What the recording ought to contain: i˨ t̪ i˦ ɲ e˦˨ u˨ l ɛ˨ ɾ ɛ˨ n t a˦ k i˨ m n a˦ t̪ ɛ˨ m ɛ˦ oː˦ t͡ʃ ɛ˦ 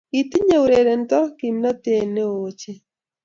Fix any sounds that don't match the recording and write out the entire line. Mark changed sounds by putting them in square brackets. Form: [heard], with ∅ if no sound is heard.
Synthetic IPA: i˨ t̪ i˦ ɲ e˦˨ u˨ [ɾ] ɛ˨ ɾ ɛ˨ n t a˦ k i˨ m n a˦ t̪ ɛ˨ [n] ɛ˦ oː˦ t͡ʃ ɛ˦